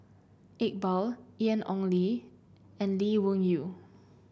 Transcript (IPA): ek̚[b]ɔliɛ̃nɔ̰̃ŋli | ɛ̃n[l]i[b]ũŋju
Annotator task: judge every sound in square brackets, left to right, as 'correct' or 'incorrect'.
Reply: correct, correct, incorrect: w

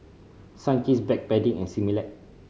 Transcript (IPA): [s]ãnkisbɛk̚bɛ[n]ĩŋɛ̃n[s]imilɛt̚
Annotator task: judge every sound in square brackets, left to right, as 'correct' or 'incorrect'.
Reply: correct, incorrect: d, correct

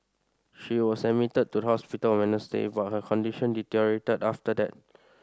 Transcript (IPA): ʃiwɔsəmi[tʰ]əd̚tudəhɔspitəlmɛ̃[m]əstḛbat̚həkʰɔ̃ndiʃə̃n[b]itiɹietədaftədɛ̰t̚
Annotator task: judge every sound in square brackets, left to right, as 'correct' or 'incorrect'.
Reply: incorrect: t, incorrect: n, incorrect: d

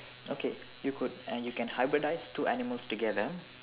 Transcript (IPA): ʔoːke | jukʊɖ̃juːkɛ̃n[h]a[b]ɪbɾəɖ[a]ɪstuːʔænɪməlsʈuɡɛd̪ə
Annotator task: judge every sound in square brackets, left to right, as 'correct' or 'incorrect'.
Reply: correct, incorrect: none, correct

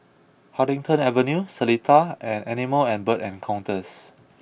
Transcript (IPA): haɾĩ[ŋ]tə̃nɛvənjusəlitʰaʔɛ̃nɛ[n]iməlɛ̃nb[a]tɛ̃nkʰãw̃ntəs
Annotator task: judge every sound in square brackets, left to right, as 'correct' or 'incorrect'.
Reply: correct, correct, incorrect: ə

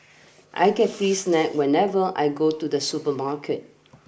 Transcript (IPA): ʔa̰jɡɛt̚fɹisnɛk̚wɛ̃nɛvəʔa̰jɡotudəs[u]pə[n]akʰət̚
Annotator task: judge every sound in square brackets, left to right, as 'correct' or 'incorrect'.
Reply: correct, incorrect: m

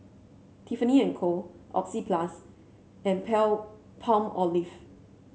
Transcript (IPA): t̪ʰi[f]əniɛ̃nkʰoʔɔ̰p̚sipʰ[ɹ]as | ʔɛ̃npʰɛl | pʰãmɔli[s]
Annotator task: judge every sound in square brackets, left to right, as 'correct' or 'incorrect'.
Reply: correct, incorrect: l, incorrect: f

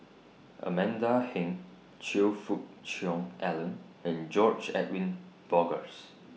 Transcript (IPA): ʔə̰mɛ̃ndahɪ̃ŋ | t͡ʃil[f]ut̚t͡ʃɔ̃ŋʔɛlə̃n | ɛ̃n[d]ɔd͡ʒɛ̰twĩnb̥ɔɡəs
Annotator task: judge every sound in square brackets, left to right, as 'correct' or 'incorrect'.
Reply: correct, incorrect: d͡ʒ

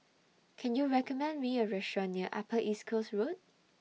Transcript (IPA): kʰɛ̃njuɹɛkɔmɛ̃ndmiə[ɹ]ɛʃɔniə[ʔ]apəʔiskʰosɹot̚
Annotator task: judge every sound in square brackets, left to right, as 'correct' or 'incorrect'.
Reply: correct, correct

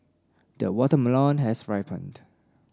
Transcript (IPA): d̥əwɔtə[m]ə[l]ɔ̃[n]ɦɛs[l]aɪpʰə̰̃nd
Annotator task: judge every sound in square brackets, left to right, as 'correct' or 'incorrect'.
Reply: correct, correct, correct, incorrect: ɹ

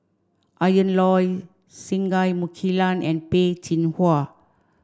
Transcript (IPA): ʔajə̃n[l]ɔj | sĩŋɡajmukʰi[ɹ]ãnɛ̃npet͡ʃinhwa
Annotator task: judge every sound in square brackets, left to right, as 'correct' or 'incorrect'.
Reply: correct, incorrect: l

